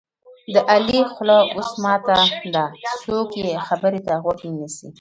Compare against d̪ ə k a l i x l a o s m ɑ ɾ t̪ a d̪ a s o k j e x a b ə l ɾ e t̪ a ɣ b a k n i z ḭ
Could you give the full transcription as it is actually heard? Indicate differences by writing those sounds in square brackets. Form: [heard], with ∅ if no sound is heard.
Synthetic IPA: d̪ ə [ʔ] a l i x l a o s m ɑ [∅] t̪ a d̪ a s o k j e x a b ə [∅] ɾ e t̪ a ɣ [w] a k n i [s] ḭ